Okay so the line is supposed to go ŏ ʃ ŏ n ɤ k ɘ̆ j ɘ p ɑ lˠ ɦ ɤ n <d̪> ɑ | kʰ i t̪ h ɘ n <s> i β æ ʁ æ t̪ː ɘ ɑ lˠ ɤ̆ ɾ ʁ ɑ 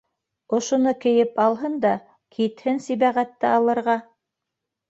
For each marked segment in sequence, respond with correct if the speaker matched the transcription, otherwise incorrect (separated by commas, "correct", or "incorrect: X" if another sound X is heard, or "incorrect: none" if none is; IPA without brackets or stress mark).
correct, correct